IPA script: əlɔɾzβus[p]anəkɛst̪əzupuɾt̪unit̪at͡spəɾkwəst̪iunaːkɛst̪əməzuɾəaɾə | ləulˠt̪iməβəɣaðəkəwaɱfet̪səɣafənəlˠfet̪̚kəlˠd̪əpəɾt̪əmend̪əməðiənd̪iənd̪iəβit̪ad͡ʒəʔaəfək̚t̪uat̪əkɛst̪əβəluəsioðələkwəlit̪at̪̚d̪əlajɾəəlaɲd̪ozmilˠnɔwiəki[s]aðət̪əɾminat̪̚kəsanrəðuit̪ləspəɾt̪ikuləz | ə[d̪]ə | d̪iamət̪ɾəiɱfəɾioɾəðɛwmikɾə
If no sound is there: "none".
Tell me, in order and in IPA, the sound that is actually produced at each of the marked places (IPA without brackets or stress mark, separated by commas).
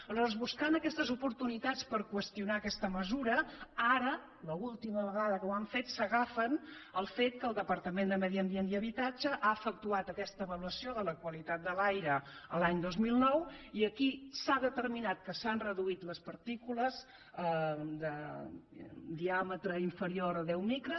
k, s, d̪